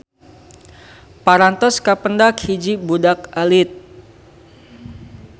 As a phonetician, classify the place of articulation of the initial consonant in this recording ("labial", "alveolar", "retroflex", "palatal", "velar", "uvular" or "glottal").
labial